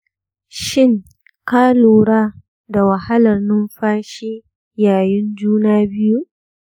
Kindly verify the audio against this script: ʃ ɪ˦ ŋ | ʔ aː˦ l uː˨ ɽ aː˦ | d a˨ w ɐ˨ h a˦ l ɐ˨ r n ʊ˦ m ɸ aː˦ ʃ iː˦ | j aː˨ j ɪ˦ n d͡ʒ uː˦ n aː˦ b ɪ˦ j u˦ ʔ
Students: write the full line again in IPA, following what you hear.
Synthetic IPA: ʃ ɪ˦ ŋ | k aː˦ l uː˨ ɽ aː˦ | d a˨ w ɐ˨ h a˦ l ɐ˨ r n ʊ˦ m ɸ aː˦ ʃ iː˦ | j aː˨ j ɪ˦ n d͡ʒ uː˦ n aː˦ b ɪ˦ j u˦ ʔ